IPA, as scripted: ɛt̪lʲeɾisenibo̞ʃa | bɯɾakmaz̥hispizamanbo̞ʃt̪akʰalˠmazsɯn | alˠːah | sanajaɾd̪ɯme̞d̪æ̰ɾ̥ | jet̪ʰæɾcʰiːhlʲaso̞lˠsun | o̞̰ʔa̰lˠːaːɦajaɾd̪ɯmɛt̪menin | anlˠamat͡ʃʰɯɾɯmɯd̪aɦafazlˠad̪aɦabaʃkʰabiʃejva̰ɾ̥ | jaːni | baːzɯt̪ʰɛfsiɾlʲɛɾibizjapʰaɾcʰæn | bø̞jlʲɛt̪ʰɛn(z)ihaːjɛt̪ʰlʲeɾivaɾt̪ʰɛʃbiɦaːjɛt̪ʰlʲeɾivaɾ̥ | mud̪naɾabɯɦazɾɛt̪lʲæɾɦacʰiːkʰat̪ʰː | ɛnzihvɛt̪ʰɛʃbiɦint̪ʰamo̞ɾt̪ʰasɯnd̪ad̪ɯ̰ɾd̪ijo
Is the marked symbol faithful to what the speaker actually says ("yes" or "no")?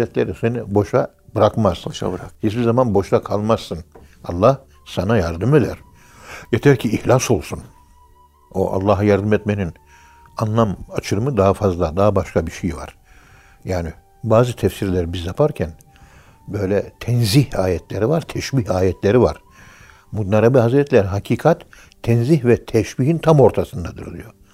yes